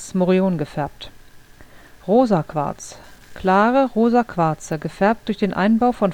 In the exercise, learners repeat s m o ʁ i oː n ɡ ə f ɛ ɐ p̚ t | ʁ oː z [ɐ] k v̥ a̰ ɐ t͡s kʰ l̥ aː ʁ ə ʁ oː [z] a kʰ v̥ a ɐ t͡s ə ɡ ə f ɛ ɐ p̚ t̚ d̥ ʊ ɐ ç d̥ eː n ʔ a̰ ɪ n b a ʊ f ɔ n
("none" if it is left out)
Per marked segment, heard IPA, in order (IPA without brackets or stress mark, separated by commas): a, z